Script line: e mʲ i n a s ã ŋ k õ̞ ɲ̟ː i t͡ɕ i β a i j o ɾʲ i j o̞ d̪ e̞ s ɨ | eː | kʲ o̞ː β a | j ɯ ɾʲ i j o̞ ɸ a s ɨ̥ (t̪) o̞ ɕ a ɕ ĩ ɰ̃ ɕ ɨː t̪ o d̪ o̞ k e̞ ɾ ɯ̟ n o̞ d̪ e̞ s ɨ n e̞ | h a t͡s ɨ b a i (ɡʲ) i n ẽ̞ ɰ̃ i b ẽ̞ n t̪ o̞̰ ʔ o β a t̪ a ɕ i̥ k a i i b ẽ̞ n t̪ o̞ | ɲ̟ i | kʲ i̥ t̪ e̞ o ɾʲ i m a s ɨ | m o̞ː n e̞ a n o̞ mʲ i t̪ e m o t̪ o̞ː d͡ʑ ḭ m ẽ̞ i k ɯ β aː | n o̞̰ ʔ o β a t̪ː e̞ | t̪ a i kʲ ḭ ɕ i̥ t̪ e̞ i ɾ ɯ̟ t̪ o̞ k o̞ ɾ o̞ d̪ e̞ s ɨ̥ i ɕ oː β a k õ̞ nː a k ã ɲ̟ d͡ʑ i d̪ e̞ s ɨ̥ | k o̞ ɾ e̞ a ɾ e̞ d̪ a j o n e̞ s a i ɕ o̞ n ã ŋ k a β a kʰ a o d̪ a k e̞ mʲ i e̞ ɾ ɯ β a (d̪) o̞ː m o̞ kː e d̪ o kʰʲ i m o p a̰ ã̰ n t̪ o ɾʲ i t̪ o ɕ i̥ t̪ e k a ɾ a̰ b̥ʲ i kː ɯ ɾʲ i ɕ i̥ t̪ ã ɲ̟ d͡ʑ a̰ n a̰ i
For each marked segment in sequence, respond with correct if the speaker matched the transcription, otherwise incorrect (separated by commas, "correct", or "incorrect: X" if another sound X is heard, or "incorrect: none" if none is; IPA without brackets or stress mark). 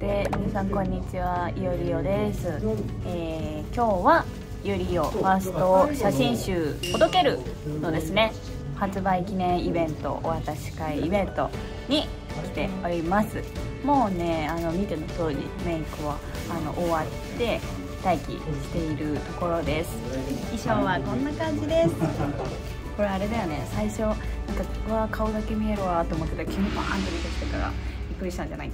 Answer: correct, incorrect: kʲ, incorrect: t̪